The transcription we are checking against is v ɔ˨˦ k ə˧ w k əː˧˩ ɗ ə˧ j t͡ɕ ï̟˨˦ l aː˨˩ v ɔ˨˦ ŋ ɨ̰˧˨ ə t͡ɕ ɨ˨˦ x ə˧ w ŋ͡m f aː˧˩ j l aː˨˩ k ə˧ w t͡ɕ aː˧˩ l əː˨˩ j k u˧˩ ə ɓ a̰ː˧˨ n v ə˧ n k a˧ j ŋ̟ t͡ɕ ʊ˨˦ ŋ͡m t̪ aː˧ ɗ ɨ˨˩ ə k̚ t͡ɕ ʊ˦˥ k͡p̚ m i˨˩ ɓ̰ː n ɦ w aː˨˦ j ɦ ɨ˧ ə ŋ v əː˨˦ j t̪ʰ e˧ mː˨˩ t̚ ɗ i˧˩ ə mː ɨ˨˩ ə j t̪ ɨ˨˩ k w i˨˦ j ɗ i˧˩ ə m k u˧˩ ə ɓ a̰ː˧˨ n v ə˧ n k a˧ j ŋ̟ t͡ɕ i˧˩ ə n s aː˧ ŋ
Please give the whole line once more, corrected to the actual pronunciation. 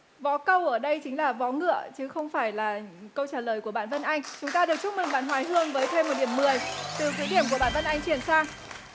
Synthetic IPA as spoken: v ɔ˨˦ k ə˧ w ʔ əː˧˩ ɗ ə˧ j t͡ɕ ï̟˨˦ l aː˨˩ v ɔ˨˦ ŋ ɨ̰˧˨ ə t͡ɕ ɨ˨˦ x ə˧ w ŋ͡m f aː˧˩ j l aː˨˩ k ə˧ w t͡ɕ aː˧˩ l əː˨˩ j k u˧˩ ə ɓ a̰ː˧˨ n v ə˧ n ʔ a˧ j ŋ̟ t͡ɕ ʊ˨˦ ŋ͡m t̪ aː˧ ɗ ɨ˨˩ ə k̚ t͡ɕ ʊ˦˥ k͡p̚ m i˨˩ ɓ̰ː n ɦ w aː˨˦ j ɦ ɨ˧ ə ŋ v əː˨˦ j t̪ʰ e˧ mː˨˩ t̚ ɗ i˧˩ ə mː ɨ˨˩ ə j t̪ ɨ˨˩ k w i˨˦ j ɗ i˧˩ ə m k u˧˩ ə ɓ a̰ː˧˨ n v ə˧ n ʔ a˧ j ŋ̟ t͡ɕ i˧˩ ə n s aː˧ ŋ